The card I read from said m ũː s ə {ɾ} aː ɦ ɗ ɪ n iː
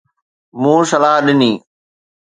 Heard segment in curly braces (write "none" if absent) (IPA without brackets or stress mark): l